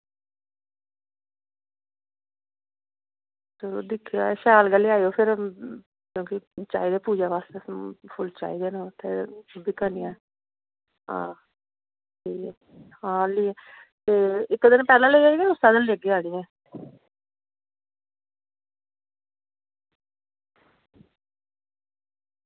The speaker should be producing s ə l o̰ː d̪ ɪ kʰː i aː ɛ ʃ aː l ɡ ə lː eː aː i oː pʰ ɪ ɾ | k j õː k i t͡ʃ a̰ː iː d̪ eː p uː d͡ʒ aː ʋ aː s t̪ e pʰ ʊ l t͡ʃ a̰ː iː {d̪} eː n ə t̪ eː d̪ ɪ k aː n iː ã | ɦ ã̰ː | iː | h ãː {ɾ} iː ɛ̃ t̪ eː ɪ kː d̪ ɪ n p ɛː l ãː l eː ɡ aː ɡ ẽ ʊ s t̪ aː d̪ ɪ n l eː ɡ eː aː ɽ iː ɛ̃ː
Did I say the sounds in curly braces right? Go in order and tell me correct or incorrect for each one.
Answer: correct, incorrect: l

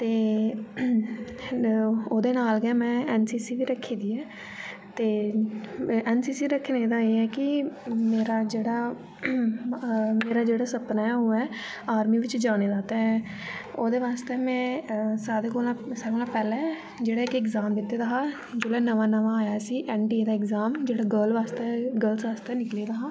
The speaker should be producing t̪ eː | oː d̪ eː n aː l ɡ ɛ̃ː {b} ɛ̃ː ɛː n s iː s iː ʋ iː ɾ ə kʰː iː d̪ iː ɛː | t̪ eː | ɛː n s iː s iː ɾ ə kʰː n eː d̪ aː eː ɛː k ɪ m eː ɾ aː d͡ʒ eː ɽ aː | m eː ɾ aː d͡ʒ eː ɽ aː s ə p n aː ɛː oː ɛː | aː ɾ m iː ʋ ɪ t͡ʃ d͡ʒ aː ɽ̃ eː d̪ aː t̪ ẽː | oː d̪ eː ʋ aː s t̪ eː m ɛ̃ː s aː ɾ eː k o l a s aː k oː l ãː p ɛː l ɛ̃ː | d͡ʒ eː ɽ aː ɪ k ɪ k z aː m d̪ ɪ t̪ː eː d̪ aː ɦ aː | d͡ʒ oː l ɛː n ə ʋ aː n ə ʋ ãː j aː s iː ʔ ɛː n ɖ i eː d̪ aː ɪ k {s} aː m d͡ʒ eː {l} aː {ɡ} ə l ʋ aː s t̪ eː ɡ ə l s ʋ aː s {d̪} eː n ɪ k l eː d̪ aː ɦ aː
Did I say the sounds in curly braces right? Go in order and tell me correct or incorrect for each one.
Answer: incorrect: m, incorrect: z, incorrect: ɽ, correct, incorrect: t̪

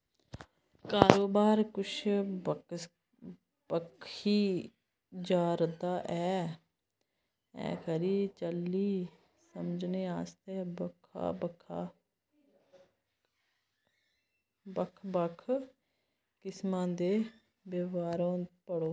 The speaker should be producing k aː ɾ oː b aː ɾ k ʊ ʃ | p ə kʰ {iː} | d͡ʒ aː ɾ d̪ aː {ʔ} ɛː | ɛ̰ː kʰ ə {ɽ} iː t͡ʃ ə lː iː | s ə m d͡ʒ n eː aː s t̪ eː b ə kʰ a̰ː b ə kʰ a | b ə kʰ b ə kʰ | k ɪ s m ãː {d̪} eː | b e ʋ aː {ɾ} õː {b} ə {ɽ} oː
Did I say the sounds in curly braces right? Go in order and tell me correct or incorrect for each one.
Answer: correct, correct, incorrect: ɾ, correct, correct, incorrect: p, correct

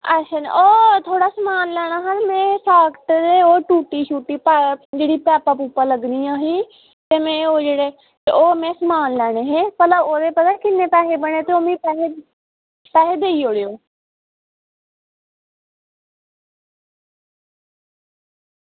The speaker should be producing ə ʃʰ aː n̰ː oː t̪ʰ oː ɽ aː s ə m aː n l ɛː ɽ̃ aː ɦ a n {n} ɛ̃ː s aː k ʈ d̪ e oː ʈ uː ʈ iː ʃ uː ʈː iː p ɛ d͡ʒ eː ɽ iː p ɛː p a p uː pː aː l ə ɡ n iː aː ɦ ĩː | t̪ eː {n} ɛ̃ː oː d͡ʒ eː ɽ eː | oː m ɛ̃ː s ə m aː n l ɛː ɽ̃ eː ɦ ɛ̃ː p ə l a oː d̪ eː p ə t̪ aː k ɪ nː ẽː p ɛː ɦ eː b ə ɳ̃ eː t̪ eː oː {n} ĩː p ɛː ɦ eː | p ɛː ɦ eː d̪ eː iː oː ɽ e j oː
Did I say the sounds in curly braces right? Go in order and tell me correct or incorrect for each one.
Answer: incorrect: m, incorrect: m, incorrect: m

